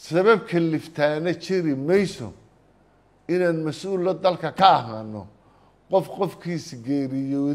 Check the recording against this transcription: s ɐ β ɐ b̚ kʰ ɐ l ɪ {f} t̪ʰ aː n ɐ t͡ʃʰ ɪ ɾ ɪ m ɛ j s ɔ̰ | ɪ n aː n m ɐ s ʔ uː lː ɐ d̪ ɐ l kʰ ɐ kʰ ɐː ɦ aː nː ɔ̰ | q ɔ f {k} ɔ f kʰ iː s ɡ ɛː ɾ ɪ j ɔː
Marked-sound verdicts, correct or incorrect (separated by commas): correct, incorrect